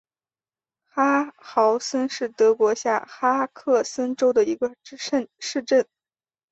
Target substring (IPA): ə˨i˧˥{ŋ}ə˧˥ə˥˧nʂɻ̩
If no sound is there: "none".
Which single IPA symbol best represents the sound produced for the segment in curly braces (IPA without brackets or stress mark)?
ɡ